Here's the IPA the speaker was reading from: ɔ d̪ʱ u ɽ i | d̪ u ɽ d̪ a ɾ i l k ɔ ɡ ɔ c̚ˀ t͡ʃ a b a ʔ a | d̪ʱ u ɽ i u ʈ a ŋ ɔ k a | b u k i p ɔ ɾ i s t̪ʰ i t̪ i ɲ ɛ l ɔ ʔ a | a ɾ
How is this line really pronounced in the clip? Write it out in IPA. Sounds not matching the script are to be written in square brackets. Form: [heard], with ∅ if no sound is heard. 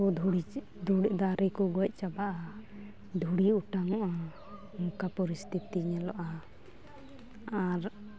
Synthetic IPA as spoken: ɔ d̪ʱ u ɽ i | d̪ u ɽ d̪ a ɾ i [∅] k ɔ ɡ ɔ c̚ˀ t͡ʃ a b a ʔ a | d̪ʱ u ɽ i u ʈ a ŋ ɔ [ʔ] a | [m] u k [a] p ɔ ɾ i s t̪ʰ i t̪ i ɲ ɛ l ɔ ʔ a | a ɾ